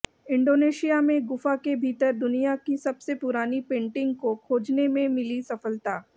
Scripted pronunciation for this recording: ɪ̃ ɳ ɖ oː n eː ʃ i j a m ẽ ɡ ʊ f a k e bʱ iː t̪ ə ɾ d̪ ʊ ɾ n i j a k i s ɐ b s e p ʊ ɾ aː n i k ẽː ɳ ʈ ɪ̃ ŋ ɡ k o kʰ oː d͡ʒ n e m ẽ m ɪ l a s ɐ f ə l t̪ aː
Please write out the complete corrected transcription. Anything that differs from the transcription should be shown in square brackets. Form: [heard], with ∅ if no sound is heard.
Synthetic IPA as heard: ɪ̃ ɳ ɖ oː n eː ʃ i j a m ẽ ɡ ʊ f a k e bʱ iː t̪ ə ɾ d̪ ʊ [∅] n i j a k i s ɐ b s e p ʊ ɾ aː n i [p] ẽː ɳ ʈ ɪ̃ ŋ ɡ k o kʰ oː d͡ʒ n e m ẽ m ɪ l [i] s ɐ f ə l t̪ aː